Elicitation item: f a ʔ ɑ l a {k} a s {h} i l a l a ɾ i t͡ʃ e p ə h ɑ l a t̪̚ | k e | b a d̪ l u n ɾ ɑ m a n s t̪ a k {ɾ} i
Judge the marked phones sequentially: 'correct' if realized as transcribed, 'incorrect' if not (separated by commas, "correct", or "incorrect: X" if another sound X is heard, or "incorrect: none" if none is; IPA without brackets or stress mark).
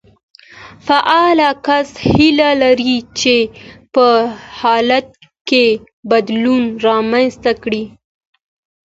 correct, correct, incorrect: ɽ